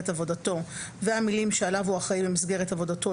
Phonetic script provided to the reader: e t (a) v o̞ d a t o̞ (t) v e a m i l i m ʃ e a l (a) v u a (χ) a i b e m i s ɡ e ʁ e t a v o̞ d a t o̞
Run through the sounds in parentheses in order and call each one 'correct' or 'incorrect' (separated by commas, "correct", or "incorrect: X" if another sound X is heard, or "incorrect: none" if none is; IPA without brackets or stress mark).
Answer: correct, incorrect: none, correct, correct